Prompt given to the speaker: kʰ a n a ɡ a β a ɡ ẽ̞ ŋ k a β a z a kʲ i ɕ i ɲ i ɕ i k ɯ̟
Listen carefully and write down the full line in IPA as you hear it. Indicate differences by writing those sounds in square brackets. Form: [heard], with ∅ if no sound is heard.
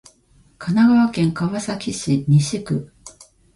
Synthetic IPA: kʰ a n a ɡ a β a [k] ẽ̞ ŋ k a β a [s] a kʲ i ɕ i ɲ i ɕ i k ɯ̟